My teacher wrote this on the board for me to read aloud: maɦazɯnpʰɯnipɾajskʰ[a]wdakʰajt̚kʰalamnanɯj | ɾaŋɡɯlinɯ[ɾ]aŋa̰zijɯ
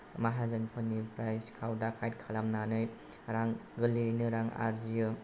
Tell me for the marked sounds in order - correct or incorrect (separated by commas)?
correct, correct